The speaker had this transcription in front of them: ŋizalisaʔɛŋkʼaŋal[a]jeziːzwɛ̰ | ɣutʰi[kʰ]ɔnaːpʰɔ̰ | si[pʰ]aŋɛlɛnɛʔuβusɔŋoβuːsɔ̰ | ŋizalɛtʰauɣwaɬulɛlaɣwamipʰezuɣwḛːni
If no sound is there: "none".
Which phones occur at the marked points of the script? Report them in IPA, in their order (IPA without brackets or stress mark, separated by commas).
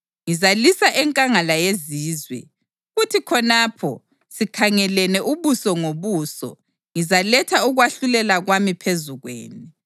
a, kʰ, kʰ